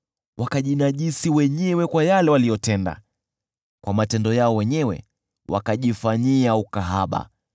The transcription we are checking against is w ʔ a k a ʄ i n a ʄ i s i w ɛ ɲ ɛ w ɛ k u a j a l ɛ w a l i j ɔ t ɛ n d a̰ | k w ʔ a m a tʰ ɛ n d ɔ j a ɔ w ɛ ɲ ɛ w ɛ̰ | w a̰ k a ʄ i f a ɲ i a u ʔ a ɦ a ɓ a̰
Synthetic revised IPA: w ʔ a k a ʄ i n a ʄ i s i w ɛ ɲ ɛ w ɛ k w a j a l ɛ w a l i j ɔ t ɛ n d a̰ | k w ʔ a m a t ɛ n d ɔ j a ɔ w ɛ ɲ ɛ w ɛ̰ | w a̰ k a ʄ i f a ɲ i a u k a ɦ a ɓ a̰